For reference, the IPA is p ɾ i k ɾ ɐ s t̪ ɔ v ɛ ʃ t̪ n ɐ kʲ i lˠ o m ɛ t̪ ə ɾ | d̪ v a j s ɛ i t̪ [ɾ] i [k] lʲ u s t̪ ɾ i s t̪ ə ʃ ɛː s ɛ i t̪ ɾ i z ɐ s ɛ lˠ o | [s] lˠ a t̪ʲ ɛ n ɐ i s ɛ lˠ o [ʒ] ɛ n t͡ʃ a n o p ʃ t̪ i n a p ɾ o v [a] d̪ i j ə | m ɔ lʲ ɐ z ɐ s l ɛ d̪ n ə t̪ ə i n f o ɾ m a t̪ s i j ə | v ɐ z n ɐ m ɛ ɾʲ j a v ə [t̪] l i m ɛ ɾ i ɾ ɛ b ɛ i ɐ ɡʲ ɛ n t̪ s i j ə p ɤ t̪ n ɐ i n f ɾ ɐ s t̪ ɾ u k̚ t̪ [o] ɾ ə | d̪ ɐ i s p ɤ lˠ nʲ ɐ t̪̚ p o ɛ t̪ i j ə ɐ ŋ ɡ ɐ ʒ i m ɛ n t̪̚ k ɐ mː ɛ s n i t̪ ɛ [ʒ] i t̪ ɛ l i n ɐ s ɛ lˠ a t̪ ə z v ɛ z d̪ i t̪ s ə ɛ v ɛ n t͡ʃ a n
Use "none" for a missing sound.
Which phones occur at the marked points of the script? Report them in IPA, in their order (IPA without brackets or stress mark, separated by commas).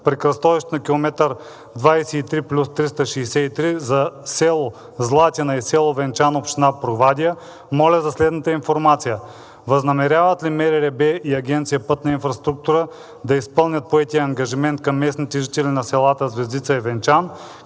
ɾ, p, z, v, a, t̪, u, ʒ